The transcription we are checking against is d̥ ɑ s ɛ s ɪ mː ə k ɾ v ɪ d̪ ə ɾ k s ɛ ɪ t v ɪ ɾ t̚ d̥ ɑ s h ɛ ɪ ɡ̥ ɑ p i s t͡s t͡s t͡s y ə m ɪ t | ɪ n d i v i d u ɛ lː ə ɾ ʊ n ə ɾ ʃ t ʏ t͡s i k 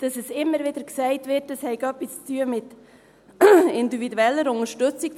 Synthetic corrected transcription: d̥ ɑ s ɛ s ɪ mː ə ɾ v ɪ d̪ ə ɾ k s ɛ ɪ t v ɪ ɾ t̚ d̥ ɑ s h ɛ ɪ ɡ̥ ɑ p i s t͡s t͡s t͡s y ə m ɪ t | ɪ n d i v i d u ɛ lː ə ɾ ʊ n ə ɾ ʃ t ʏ t͡s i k

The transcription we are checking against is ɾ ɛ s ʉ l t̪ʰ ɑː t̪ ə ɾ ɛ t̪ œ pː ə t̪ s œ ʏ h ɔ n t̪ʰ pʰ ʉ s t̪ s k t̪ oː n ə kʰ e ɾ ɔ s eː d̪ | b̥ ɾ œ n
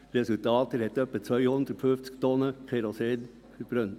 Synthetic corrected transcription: ɾ ɛ s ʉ l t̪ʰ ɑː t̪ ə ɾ ɛ t̪ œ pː ə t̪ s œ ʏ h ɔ n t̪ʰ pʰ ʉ f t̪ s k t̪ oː n ə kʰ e ɾ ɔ s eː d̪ | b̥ ɾ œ n

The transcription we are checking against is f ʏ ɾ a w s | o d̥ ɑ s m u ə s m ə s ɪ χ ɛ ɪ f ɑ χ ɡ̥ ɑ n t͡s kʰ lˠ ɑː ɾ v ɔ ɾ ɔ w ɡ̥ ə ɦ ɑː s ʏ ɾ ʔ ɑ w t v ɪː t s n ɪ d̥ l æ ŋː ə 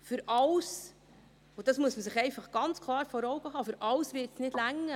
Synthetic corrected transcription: f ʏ ɾ ɑ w s | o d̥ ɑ s m u ə s m ə s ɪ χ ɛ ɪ f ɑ χ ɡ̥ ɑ n t͡s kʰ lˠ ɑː ɾ f ɔ ɾ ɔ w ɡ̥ ə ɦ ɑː f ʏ ɾ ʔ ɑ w s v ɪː t s n ɪ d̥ l æ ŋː ə

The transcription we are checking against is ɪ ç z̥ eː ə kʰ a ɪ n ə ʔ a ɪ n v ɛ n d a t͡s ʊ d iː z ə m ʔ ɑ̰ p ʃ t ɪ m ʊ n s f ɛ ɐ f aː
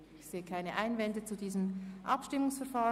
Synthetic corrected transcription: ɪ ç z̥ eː ə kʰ a ɪ n ə ʔ a ɪ n v ɛ n d ə t͡s u d iː z ə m ʔ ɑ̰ p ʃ t ɪ m ʊ ŋ s f ɛ ɐ f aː

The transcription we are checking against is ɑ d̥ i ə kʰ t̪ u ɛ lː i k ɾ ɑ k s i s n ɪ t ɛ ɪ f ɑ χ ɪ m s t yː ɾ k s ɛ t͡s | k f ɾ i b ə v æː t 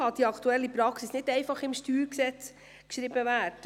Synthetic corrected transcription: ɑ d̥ i ɑ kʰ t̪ u ɛ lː i p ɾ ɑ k s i s n ɪ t ɛ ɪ f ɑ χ ɪ m ʃ t yː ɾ k s ɛ t͡s | k ʃ ɾ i b ə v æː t

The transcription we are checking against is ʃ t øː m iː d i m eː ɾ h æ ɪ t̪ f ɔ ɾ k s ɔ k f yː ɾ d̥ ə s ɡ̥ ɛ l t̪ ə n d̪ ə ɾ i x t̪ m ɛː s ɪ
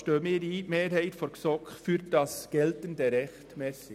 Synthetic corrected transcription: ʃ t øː m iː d i m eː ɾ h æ ɪ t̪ f ɔ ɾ k s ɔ k f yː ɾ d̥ ɑ s ɡ̥ ɛ l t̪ ə n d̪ ə ɾ ɛ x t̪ m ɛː s ɪ

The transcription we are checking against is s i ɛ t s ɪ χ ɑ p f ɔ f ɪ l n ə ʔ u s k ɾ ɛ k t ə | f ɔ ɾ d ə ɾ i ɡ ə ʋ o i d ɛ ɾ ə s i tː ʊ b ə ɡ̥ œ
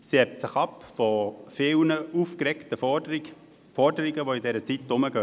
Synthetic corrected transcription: s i ɛ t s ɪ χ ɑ p f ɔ f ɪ l n ə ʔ u f k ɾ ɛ k t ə | f ɔ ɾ d ə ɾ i ɡ ə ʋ o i d ɛ ɾ ə t͡s i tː ʊ m ə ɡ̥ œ

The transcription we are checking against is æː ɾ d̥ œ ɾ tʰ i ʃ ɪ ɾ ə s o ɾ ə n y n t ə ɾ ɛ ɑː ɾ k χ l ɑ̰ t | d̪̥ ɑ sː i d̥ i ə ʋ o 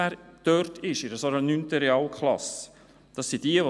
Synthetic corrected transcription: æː ɾ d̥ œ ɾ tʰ ɪ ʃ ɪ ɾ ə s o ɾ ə n y n t ə ɾ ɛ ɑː l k χ l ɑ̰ s | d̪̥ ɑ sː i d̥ i ə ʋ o

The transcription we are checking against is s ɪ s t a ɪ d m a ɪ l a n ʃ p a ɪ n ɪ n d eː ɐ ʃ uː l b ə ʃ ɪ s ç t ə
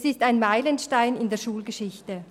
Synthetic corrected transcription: s ɪ s t a ɪ n m a ɪ l ə n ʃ t a ɪ n ɪ n d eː ɐ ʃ uː l ɡ ə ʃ ɪ ç t ə

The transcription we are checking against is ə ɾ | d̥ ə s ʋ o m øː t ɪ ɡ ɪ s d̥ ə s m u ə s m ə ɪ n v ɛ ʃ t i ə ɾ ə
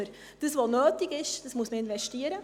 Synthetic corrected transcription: ə ɾ | d̥ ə s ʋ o n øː t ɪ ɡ ɪ ʃ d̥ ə s m u ə s m ə ɪ n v ɛ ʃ t i ə ɾ ə

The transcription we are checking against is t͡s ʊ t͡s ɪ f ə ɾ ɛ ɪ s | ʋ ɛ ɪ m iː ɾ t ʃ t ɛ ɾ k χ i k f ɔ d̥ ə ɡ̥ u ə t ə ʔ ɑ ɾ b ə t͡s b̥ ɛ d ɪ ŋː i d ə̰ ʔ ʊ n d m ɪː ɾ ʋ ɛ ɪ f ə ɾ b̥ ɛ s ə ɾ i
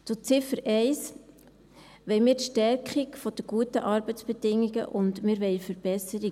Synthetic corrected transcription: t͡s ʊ t͡s ɪ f ə ɾ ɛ ɪ s | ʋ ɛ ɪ m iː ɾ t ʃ t ɛ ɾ k χ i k f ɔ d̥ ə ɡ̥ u ə t ə ʔ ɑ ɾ b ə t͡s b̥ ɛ d ɪ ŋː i ɡ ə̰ ʔ ʊ n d m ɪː ɾ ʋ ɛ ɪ f ə ɾ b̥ ɛ s ə ɾ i

